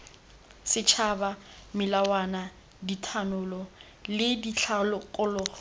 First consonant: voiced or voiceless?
voiceless